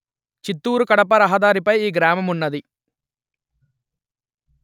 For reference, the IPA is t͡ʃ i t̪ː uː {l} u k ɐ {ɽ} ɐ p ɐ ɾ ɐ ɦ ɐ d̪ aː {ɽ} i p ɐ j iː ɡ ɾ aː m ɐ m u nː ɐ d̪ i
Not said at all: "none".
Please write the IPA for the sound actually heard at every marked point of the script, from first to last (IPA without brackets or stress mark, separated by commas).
ɾ, ɽ, ɾ